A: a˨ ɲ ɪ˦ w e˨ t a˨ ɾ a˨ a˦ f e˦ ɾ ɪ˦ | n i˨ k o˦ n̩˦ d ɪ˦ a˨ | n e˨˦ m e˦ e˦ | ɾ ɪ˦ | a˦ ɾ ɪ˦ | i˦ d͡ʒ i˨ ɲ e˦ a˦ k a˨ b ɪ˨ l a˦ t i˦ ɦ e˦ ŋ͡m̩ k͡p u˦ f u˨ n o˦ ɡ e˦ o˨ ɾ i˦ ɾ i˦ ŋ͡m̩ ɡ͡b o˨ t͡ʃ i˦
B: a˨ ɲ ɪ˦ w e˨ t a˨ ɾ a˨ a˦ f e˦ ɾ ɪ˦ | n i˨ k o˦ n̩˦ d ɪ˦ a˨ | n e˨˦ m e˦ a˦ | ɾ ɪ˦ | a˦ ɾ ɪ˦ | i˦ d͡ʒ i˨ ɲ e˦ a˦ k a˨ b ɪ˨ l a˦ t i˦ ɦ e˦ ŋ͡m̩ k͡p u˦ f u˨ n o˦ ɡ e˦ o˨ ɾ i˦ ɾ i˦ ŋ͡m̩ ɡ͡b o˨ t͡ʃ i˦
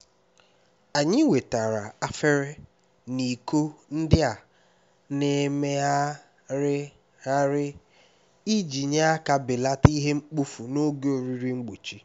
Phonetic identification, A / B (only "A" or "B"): B